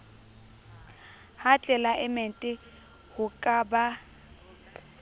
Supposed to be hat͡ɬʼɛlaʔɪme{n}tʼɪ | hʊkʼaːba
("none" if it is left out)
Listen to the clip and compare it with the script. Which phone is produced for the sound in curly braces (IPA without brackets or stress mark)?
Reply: n